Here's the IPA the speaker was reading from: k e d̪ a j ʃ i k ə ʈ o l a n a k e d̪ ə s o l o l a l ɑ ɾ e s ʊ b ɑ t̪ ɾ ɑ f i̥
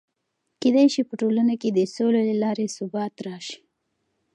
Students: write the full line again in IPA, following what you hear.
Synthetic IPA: k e d̪ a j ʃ i p ə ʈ o l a n a k e d̪ ə s o l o l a l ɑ ɾ e s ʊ b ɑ t̪ ɾ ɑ ʃ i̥